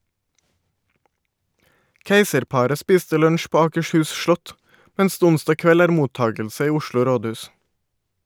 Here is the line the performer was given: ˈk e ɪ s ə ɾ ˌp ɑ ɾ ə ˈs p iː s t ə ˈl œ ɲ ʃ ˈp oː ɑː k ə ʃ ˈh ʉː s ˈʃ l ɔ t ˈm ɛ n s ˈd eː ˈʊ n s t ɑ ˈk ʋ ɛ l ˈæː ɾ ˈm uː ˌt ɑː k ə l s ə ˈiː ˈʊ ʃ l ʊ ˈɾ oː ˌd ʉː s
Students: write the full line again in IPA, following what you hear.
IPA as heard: ˈk e ɪ s ə ɾ ˌp ɑ ɾ ə ˈs p iː s t ə ˈl œ ɲ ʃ ˈp oː ɑː k ə ʃ ˈh ʉː s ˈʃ l ɔ t ˈm ɛ n s ˈd eː ˈʊ n s t ɑ ˈk ʋ ɛ l ˈæː ɾ ˈm uː ˌt ɑː ɡ ə l s ə ˈiː ˈʊ ʃ l ʊ ˈɾ oː ˌd ʉː s